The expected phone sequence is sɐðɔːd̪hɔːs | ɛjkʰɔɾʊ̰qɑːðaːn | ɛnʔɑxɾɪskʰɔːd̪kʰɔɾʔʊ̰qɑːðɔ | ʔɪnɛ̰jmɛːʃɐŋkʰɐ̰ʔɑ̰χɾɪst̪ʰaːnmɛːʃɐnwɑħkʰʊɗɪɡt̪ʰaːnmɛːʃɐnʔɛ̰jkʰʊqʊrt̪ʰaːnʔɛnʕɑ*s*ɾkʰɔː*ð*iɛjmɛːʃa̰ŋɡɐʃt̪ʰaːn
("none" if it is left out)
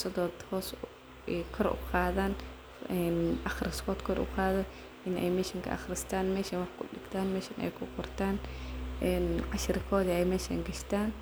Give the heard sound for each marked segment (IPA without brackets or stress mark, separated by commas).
ʃ, ð